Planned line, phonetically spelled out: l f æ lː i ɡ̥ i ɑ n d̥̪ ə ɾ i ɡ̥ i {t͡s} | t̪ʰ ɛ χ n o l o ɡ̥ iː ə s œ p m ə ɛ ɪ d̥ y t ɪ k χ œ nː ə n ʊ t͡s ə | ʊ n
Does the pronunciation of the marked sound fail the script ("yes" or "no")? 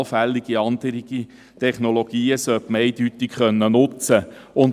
yes